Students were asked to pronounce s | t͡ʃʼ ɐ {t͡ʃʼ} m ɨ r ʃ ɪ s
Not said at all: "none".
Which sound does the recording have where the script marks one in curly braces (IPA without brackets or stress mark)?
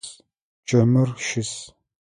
none